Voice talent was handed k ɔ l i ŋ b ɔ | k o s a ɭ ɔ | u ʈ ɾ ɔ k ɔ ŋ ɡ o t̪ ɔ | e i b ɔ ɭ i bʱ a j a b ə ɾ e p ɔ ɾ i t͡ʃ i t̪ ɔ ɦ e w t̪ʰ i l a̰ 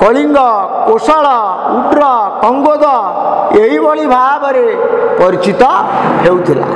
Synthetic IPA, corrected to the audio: k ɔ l i ŋ ɡ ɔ | k o s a ɭ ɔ | u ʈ ɾ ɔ k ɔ ŋ ɡ o d̪ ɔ | e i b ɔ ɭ i bʱ a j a b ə ɾ e p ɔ ɾ i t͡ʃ i t̪ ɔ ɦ e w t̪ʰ i l a̰